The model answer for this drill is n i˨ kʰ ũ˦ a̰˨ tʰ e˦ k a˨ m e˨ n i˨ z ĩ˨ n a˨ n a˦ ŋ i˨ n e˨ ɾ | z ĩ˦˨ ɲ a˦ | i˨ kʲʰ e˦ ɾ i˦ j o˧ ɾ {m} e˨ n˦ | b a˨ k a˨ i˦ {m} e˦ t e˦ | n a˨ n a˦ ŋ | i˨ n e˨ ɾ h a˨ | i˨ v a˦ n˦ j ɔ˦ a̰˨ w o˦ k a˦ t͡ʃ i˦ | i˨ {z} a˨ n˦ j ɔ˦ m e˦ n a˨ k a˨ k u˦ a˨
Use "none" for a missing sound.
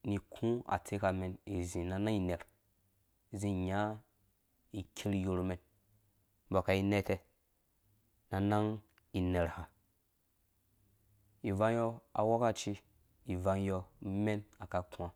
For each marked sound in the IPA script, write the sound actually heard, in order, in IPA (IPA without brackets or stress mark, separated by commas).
m, n, v